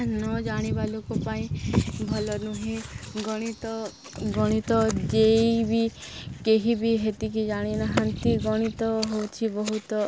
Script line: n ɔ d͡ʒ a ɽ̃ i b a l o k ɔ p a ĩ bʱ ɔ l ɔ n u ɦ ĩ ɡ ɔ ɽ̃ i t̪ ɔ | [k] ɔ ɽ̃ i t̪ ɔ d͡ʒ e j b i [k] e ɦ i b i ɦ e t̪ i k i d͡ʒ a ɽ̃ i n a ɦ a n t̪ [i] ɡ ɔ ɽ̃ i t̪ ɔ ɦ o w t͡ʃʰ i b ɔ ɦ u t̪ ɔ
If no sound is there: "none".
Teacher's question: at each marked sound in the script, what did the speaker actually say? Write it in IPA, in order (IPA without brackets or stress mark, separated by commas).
ɡ, k, i